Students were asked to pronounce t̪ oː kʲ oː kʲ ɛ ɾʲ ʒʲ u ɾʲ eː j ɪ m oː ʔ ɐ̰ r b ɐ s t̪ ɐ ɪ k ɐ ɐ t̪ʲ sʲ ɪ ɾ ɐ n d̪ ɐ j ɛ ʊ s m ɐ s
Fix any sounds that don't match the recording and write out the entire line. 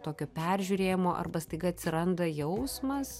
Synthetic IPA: t̪ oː kʲ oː pʲ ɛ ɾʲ ʒʲ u ɾʲ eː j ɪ m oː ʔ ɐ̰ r b ɐ s t̪ ɐ ɪ ɡ ɐ ɐ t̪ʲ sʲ ɪ ɾ ɐ n d̪ ɐ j ɛ ʊ s m ɐ s

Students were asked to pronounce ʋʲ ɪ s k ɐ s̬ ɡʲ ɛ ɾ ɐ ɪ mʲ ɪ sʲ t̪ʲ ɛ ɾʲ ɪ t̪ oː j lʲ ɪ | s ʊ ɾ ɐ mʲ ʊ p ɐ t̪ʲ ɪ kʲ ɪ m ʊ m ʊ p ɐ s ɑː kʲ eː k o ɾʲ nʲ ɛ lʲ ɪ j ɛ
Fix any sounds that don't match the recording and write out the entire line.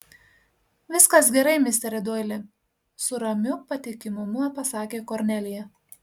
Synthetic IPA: ʋʲ ɪ s k ɐ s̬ ɡʲ ɛ ɾ ɐ ɪ mʲ ɪ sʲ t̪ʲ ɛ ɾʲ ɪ d̪ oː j lʲ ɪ | s ʊ ɾ ɐ mʲ ʊ p ɐ t̪ʲ ɪ kʲ ɪ m ʊ m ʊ p ɐ s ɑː kʲ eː k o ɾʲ nʲ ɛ lʲ ɪ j ɛ

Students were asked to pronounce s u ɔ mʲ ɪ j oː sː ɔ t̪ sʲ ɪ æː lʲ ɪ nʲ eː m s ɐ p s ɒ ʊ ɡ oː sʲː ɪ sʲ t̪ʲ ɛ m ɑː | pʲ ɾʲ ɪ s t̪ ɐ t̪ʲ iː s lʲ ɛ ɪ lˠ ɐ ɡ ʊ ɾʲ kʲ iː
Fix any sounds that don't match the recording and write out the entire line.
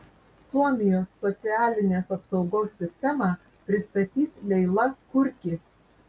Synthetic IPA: s u ɔ mʲ ɪ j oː sː ɔ t̪ sʲ ɪ æː lʲ ɪ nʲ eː s ɐ p s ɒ ʊ ɡ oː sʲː ɪ sʲ t̪ʲ ɛ m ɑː | pʲ ɾʲ ɪ s t̪ ɐ t̪ʲ iː s lʲ ɛ ɪ lˠ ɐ k ʊ ɾʲ kʲ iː

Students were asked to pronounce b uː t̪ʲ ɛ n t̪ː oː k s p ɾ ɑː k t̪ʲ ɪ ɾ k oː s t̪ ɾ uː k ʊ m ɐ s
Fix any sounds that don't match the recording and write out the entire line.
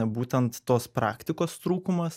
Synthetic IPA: b uː t̪ʲ ɛ n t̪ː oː s p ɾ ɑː k t̪ʲ ɪ k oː s t̪ ɾ uː k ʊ m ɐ s

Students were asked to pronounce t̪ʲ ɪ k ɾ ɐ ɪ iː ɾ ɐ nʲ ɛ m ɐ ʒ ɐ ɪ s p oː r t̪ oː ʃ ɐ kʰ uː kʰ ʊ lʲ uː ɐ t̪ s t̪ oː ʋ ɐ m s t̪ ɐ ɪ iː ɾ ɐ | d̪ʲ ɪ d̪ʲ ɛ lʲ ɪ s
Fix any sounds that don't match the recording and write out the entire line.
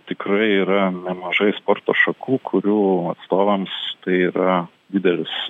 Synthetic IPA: t̪ʲ ɪ k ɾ ɐ ɪ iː ɾ ɐ nʲ ɛ m ɐ ʒ ɐ ɪ s p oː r t̪ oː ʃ ɐ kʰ uː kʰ ʊ ɾʲ uː ɐ t̪ s t̪ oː ʋ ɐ m s t̪ ɐ ɪ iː ɾ ɐ | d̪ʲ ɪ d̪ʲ ɛ lʲ ɪ s

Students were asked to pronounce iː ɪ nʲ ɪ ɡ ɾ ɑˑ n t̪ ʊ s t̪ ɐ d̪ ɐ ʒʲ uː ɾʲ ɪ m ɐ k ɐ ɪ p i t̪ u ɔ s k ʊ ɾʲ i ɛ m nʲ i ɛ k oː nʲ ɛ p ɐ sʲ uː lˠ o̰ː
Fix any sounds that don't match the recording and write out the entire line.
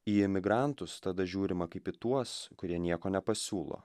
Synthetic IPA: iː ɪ mʲ ɪ ɡ ɾ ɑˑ n t̪ ʊ s t̪ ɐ d̪ ɐ ʒʲ uː ɾʲ ɪ m ɐ k ɐ ɪ p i t̪ u ɔ s k ʊ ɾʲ i ɛ nʲ i ɛ k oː nʲ ɛ p ɐ sʲ uː lˠ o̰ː

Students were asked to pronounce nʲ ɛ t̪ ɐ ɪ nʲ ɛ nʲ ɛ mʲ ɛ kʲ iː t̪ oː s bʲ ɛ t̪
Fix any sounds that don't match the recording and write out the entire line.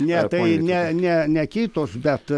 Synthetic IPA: nʲ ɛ t̪ ɐ ɪ nʲ ɛ nʲ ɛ nʲ ɛ kʲ iː t̪ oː s bʲ ɛ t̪

